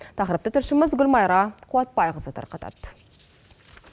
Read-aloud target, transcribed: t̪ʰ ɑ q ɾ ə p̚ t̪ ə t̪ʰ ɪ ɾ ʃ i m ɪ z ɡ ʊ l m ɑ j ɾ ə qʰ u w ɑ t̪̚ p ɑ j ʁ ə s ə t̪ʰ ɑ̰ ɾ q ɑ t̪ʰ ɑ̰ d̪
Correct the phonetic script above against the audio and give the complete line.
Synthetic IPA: t̪ʰ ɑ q ɾ ə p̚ t̪ ə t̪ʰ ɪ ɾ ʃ ɪ m ɪ z ɡ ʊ l m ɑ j ɾ ɑ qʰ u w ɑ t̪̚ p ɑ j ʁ ə z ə t̪ʰ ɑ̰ ɾ q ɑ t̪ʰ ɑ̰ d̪